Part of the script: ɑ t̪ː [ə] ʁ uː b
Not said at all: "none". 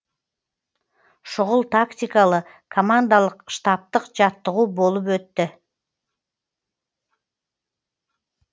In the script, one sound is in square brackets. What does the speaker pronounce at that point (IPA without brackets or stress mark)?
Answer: ə